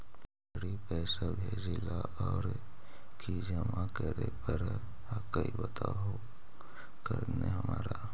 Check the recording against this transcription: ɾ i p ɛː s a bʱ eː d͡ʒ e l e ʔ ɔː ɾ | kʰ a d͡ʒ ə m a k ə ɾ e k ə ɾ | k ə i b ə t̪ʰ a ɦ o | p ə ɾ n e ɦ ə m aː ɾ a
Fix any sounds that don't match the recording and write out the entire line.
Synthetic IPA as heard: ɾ i p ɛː s a bʱ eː d͡ʒ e l a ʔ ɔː ɾ | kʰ i d͡ʒ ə m a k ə ɾ e p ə ɾ | k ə i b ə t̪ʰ a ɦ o | k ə ɾ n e ɦ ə m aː ɾ a